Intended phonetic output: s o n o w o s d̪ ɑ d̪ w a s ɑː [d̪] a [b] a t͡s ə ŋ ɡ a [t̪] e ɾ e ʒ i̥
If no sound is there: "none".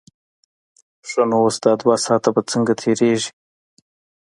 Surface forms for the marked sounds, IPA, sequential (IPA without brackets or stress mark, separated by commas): t̪, b, t̪ʰ